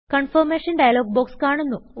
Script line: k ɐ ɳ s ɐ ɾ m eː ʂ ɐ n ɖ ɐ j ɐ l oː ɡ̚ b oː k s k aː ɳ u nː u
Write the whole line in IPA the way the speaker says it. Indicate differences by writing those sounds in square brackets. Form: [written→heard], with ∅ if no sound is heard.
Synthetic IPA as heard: k ɐ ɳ [s→f] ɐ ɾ m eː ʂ ɐ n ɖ ɐ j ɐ l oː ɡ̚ b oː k s k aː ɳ u nː u